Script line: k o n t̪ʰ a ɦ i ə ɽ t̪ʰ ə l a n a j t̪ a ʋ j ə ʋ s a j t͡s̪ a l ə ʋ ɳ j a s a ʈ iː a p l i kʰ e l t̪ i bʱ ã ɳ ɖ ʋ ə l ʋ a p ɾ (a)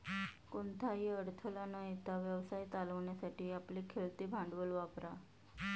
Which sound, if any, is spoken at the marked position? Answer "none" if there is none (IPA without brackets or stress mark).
a